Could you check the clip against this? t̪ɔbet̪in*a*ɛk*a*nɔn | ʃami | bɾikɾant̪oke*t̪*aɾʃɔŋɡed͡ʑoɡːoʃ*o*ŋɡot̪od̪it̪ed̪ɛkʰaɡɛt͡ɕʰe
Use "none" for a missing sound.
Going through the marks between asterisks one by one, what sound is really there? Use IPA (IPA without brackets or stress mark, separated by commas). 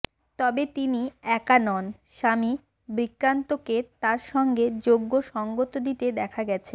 i, a, t̪, ɔ